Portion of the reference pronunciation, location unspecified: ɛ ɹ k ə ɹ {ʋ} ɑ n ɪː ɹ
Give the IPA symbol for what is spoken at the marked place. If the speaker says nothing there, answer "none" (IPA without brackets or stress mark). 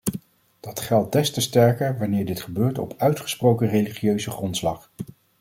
ʋ